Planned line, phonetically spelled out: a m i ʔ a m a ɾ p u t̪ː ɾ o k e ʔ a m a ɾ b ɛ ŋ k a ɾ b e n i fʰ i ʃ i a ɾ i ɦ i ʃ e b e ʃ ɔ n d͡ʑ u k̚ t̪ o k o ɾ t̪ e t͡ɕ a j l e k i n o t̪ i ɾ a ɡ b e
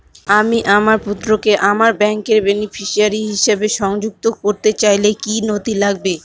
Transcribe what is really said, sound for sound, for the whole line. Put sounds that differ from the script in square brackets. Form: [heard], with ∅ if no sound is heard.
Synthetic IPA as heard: a m i ʔ a m a ɾ p u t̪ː ɾ o k e ʔ a m a ɾ b ɛ ŋ k [e] ɾ b e n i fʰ i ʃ i a ɾ i ɦ i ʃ e b e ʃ ɔ [ŋ] d͡ʑ u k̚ t̪ o k o ɾ t̪ e t͡ɕ a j l e k i n o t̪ i [l] a ɡ b e